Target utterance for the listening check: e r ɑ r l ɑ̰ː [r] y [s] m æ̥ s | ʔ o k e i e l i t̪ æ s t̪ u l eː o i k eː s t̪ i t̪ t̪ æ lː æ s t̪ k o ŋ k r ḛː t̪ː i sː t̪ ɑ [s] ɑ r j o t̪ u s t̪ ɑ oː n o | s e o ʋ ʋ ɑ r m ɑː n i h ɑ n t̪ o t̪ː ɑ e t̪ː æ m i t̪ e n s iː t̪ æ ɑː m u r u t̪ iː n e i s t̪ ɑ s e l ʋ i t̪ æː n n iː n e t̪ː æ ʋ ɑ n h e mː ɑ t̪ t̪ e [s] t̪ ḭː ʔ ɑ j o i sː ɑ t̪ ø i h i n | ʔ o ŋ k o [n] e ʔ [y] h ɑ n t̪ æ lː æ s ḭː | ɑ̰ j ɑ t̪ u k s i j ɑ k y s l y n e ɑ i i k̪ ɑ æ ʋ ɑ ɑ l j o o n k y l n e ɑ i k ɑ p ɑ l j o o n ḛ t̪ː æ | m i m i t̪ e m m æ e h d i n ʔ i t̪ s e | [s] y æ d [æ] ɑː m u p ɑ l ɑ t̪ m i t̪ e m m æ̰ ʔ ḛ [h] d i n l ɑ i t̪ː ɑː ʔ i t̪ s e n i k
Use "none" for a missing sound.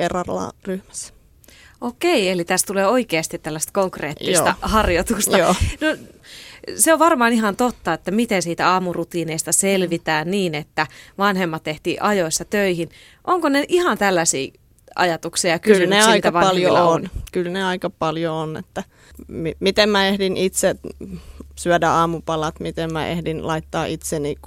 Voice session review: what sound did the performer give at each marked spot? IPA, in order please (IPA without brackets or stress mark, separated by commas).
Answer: r, h, h, h, n, i, s, æ, h